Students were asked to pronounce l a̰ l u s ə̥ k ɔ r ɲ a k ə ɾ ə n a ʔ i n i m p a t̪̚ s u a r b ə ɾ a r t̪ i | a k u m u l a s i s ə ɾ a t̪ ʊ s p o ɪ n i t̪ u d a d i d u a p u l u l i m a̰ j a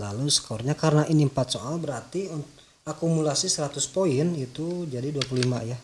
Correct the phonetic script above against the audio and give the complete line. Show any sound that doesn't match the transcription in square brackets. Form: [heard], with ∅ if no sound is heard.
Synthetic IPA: l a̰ l u s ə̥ k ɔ r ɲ a k [a] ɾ ə n a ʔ i n i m p a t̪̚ s [o] a [l] b ə ɾ a r t̪ i | a k u m u l a s i s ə ɾ a t̪ ʊ s p o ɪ n i t̪ u [d͡ʒ] a d i d u a p u l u l i m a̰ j a